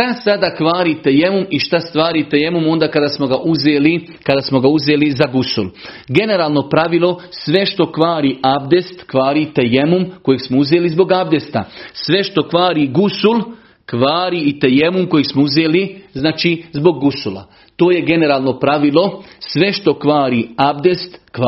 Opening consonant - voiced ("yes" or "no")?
no